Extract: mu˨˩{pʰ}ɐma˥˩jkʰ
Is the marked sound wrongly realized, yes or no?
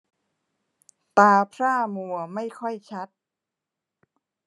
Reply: yes